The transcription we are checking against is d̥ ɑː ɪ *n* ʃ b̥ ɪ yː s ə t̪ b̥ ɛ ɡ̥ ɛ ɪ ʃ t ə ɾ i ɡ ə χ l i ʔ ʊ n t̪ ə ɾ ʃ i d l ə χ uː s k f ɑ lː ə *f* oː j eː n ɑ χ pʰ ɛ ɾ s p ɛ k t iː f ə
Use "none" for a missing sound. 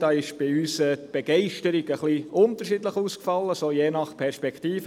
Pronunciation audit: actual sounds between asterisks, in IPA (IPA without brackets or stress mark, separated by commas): none, s